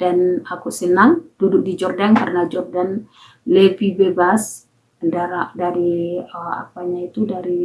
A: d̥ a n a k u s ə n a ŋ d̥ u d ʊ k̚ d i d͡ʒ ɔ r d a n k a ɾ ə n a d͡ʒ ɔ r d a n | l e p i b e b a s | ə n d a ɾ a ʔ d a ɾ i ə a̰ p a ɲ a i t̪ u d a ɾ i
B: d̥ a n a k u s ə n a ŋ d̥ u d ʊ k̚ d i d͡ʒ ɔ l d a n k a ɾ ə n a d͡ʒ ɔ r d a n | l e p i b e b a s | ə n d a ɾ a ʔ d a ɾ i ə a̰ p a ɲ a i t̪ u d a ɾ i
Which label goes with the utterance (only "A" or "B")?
A